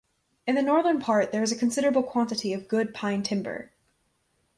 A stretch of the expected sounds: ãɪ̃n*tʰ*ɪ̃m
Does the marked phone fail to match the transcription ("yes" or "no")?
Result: no